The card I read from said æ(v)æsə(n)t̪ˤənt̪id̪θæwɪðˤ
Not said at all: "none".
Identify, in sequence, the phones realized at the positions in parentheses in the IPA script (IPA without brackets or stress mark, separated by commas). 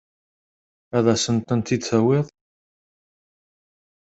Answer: ð, n